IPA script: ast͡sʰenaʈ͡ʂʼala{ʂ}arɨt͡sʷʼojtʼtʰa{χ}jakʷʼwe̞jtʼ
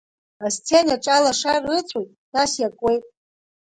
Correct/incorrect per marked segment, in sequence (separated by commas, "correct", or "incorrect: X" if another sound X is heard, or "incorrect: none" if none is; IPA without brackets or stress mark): correct, incorrect: s